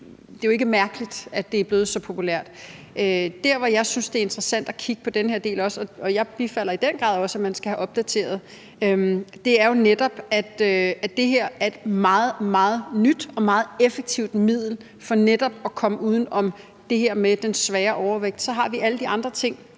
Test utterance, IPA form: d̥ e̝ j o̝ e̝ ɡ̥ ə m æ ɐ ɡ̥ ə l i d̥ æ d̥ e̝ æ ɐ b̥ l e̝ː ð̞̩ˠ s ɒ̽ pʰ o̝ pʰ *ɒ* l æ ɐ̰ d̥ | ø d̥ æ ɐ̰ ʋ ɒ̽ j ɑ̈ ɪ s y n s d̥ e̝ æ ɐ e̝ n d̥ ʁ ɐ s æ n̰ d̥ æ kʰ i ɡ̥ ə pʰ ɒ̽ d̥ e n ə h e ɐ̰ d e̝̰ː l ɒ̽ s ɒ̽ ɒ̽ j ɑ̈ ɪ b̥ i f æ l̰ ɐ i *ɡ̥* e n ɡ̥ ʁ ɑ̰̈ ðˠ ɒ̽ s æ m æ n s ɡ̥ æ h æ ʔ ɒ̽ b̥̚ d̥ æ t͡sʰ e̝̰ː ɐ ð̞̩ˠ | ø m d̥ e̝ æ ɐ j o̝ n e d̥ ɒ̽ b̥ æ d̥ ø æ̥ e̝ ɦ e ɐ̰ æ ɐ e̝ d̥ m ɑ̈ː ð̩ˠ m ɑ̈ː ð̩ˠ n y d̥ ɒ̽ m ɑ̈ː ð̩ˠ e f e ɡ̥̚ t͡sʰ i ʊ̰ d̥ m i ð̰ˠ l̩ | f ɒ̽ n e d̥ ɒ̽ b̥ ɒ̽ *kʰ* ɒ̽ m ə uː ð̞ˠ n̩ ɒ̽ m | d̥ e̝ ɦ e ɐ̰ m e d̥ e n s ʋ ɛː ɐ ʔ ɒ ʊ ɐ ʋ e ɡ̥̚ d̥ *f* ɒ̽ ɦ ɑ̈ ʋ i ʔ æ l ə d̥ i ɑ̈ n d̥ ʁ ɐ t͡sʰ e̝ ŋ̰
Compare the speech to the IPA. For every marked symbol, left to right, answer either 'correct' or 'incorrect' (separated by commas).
incorrect, incorrect, correct, incorrect